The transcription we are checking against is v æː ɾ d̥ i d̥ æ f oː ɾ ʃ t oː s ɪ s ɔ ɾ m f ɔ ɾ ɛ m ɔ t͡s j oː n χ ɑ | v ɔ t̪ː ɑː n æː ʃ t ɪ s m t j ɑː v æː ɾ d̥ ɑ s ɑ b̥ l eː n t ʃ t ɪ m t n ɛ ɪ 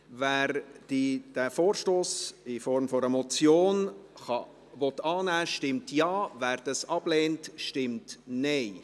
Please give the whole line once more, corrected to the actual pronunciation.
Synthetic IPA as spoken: v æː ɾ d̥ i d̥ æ f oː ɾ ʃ t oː s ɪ f ɔ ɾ m f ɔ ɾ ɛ m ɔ t͡s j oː n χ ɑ | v ɔ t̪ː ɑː n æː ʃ t ɪ m t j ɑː v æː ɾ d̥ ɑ s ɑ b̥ l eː n t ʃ t ɪ m t n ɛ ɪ